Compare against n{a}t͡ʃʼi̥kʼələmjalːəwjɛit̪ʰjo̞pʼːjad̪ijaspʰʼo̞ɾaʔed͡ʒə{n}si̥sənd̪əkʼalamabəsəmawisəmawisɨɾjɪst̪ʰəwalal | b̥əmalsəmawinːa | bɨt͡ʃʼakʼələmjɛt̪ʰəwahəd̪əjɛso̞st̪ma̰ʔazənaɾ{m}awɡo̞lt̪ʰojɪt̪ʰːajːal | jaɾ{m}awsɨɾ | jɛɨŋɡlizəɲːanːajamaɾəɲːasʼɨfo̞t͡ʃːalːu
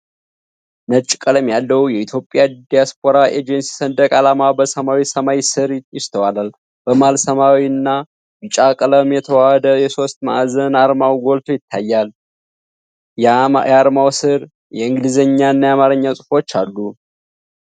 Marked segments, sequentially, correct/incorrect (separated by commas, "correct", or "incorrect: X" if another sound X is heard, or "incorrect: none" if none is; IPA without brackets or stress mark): incorrect: ə, correct, correct, correct